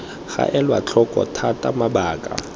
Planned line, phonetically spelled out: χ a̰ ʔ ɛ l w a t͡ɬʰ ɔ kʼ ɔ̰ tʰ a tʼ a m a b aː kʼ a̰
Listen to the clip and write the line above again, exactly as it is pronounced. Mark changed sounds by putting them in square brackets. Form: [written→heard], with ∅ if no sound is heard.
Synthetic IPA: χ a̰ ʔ ɛ l w a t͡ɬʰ ɔ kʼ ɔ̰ tʰ a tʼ a m a b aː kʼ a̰